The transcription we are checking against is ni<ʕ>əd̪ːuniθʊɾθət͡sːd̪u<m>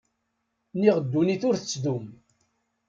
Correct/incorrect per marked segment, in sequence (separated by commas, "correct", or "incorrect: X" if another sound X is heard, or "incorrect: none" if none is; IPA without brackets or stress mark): incorrect: ʁ, correct